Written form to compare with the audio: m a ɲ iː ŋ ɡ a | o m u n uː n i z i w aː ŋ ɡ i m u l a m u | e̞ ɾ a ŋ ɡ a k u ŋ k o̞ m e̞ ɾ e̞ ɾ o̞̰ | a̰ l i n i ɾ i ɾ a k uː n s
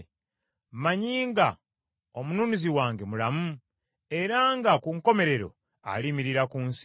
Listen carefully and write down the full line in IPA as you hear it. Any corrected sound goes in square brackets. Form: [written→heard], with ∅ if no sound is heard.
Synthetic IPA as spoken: m a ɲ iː ŋ ɡ a | o m u n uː n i z i w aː ŋ ɡ [i→e] m u l a m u | e̞ ɾ a ŋ ɡ a k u ŋ k o̞ m e̞ ɾ e̞ ɾ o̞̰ | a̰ l i [n→m] i ɾ i ɾ a k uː n s